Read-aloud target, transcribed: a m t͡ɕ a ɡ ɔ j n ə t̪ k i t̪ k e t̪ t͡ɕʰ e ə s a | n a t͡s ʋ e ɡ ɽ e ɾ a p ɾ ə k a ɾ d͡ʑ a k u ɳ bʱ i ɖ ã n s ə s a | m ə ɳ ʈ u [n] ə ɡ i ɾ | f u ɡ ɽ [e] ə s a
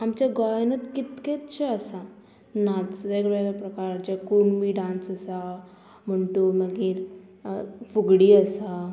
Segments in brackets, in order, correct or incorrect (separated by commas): incorrect, incorrect